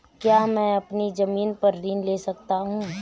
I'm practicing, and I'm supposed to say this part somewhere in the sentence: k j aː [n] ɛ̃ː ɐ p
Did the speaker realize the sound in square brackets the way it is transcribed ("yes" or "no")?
no